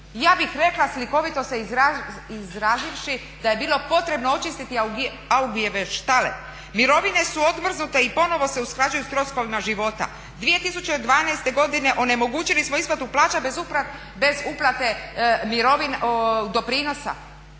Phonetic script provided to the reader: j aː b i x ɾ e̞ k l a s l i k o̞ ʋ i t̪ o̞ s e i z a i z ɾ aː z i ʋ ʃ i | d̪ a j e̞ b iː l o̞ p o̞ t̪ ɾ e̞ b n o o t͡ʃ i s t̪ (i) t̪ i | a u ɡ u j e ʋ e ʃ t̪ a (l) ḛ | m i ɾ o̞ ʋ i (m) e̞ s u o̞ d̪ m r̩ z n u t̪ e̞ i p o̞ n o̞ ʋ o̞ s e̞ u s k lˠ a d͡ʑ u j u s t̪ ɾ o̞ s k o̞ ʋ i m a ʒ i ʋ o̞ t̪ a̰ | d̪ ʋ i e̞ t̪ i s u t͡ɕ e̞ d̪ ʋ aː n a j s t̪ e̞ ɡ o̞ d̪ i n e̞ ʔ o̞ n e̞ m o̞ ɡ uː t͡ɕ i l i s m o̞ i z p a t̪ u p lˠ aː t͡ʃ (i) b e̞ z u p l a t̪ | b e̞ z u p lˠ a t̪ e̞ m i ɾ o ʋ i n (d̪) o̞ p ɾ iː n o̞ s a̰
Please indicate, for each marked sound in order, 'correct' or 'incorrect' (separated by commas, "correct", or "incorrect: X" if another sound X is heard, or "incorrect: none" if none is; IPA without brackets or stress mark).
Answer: correct, correct, incorrect: n, incorrect: a, correct